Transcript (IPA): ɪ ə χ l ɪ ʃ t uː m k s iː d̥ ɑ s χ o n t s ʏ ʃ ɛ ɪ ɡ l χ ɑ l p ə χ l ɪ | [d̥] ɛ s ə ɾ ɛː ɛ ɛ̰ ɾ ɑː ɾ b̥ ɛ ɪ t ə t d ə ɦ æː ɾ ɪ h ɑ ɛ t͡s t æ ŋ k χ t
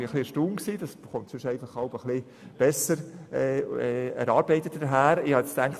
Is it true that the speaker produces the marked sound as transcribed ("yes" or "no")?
no